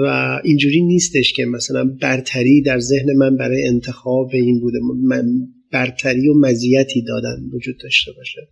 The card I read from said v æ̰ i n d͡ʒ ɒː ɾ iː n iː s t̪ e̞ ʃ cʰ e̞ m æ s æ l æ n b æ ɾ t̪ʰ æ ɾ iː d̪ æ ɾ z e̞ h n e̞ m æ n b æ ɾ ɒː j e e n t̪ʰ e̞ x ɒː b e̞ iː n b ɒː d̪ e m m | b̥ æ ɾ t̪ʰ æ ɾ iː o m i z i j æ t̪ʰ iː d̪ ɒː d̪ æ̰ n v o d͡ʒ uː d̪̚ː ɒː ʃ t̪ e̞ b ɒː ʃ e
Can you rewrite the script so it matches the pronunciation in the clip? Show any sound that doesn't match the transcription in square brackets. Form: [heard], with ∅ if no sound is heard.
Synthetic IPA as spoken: v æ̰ i n d͡ʒ [uː] ɾ iː n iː s t̪ e̞ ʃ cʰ e̞ m æ s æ l æ n b æ ɾ t̪ʰ æ ɾ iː d̪ æ ɾ z e̞ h n e̞ m æ n b æ ɾ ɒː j e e n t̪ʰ e̞ x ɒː b e̞ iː n b [uː] d̪ e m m | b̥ æ ɾ t̪ʰ æ ɾ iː o m [æ] z i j æ t̪ʰ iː d̪ ɒː d̪ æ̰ n v o d͡ʒ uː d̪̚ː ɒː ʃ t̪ e̞ b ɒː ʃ e